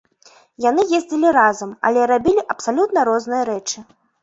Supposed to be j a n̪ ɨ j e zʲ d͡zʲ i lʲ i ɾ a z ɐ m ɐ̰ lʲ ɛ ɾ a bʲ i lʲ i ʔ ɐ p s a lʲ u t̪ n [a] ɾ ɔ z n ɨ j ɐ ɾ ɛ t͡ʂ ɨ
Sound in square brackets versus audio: incorrect: ɐ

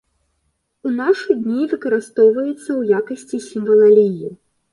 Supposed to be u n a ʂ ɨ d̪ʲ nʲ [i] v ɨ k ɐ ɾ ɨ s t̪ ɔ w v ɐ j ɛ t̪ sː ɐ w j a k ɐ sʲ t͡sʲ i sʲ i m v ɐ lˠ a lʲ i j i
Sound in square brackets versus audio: correct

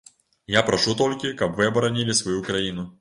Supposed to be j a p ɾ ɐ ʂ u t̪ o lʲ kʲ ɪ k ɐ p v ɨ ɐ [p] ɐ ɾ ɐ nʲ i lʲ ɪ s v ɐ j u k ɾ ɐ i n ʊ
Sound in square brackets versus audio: incorrect: b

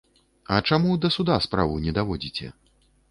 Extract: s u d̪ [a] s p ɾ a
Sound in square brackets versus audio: correct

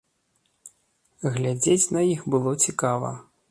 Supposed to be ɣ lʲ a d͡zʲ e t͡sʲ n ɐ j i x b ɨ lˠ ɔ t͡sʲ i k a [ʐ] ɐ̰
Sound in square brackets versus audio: incorrect: v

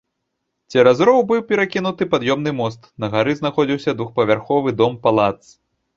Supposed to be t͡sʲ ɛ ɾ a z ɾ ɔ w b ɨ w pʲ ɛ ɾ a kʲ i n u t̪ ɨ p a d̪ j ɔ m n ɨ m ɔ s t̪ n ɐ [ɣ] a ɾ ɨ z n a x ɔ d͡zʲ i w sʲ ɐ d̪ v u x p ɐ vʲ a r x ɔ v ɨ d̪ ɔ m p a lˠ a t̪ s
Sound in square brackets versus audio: correct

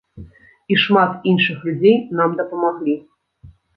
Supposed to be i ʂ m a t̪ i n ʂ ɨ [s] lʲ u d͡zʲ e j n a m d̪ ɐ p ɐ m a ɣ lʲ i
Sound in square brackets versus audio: incorrect: x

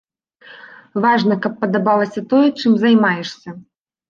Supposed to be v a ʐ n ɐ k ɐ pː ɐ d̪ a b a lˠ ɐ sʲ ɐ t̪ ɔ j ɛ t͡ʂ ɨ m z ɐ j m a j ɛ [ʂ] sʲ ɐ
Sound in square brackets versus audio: correct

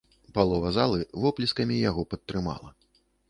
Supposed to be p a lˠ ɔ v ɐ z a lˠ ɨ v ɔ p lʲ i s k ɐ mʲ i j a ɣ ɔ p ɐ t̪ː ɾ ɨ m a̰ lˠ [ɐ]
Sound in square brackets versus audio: correct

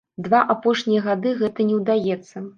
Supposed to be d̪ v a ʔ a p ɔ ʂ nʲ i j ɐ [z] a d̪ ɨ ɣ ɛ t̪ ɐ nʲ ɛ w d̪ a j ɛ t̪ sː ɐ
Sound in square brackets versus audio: incorrect: ɣ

